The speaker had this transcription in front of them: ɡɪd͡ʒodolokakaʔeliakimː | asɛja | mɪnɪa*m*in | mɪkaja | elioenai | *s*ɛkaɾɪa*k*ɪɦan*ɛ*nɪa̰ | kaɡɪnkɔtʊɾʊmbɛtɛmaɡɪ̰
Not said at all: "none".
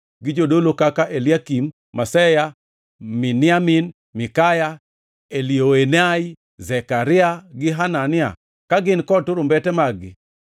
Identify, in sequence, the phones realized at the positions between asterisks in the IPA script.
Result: m, z, ɡ, a

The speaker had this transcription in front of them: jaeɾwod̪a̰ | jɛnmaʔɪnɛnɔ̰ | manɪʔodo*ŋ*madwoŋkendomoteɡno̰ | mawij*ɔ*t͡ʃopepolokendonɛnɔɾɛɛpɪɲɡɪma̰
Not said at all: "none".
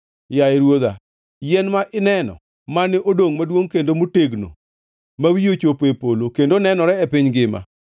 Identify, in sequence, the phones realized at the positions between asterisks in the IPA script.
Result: ŋ, o

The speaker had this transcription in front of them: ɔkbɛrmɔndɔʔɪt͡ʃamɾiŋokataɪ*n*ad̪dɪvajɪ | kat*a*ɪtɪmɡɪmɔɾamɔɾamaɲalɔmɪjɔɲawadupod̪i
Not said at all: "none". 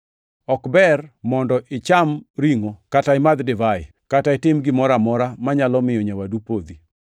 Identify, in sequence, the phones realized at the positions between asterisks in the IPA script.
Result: m, a

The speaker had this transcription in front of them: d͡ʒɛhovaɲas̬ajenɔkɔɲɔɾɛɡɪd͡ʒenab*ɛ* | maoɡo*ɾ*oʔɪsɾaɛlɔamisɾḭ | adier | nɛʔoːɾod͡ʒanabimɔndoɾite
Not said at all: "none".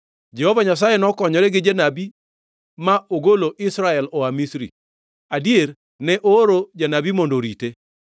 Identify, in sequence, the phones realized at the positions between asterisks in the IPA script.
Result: i, l

